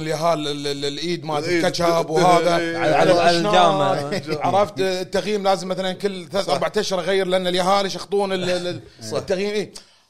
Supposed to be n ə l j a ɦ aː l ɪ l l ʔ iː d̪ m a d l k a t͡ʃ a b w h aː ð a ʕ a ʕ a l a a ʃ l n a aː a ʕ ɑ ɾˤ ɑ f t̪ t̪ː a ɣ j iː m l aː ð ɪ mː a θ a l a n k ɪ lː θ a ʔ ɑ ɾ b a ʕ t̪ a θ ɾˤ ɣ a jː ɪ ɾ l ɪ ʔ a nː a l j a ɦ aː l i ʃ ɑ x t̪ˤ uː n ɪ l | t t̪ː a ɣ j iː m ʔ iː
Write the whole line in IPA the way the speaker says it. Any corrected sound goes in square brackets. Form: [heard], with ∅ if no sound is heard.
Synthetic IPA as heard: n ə l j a ɦ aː l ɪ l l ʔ iː d̪ m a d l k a t͡ʃ a b w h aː ð a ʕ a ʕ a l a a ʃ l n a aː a ʕ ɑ ɾˤ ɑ f t̪ t̪ː a ɣ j iː m l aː [z] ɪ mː a θ a l a n k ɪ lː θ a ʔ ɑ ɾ b a ʕ t̪ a [ʃ] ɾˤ ɣ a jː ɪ ɾ l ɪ ʔ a nː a l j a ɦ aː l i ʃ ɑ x t̪ˤ uː n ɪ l | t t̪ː a ɣ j iː m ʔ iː